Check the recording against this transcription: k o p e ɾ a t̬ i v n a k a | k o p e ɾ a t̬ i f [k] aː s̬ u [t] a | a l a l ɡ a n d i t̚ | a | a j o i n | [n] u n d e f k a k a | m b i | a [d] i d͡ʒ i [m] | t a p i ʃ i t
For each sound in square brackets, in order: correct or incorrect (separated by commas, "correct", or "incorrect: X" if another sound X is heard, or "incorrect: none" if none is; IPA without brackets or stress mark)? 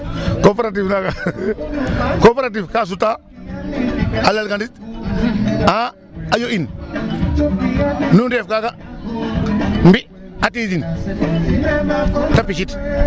correct, correct, correct, incorrect: t, incorrect: n